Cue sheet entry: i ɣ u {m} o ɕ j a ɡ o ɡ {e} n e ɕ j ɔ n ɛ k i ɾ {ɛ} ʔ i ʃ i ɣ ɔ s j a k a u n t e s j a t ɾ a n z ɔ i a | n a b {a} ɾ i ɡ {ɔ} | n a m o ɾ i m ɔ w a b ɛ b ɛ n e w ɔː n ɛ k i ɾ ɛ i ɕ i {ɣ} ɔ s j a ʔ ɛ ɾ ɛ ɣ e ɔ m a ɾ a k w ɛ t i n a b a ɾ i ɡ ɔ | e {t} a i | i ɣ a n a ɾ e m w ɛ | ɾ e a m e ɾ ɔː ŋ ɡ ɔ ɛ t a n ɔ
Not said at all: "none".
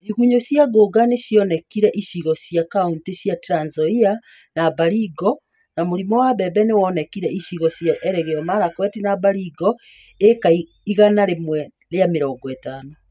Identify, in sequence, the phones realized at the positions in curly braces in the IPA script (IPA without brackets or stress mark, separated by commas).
ɲ, a, ɛ, a, ɔ, ɣ, k